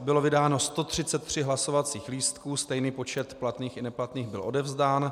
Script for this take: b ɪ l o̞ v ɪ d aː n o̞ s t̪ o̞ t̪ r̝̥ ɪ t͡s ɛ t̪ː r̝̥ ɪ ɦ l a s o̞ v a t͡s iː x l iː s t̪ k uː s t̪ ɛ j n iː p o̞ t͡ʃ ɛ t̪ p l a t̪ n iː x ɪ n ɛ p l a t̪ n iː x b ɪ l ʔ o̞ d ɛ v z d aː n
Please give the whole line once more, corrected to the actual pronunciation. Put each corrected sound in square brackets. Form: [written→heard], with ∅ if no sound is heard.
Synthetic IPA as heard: b ɪ l o̞ v ɪ d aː n o̞ s t̪ o̞ t̪ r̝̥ ɪ t͡s ɛ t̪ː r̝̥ ɪ ɦ l a s o̞ v a t͡s iː x l iː s t̪ k uː s t̪ ɛ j n iː p o̞ t͡ʃ ɛ t̪ p l a t̪ n iː x ɪ n ɛ p l a t̪ n iː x b ɪ l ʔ o̞ d ɛ v z d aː n